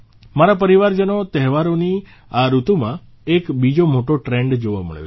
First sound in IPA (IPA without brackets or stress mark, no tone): m